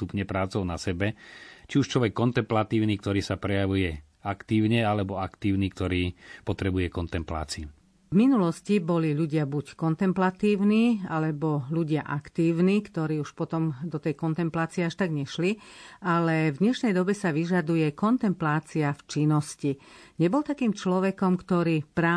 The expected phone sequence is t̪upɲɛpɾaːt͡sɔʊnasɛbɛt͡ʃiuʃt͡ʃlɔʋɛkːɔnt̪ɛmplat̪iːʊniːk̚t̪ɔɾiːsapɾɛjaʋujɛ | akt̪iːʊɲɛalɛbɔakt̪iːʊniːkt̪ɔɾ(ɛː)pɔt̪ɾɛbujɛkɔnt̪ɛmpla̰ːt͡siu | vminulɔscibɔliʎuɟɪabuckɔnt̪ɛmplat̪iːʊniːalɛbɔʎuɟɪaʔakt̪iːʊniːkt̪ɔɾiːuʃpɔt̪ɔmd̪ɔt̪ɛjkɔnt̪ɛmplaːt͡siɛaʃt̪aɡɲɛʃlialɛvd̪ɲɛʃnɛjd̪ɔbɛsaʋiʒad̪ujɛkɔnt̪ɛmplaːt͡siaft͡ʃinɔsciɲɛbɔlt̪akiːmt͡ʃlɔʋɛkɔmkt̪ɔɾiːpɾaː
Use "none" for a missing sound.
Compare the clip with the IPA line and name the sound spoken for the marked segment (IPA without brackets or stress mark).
iː